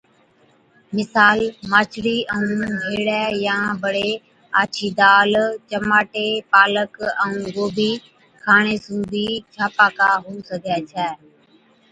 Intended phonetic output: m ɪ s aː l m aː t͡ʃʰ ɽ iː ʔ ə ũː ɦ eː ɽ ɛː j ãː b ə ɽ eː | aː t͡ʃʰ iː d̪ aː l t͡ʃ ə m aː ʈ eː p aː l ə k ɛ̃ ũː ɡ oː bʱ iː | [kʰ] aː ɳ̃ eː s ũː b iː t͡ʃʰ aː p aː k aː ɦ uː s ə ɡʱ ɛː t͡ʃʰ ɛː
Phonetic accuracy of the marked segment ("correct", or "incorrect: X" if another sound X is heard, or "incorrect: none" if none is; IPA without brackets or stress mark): correct